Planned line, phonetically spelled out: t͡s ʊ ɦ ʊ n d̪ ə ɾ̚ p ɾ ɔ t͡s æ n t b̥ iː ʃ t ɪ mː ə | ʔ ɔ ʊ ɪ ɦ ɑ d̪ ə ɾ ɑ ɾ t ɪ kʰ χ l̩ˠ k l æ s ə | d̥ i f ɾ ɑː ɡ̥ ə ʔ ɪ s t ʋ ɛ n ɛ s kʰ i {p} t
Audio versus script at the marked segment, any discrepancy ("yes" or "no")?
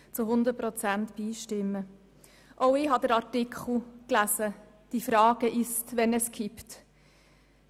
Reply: no